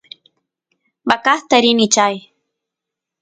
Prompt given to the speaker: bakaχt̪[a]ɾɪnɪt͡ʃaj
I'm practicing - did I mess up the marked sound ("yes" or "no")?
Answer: no